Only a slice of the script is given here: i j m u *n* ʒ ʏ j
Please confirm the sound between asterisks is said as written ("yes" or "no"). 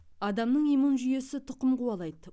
yes